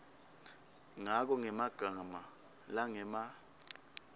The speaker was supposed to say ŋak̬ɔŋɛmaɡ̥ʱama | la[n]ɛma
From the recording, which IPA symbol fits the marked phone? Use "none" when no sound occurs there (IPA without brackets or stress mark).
ŋ